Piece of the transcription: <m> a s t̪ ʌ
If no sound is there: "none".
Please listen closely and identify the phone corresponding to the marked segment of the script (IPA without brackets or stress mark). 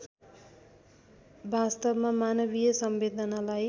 b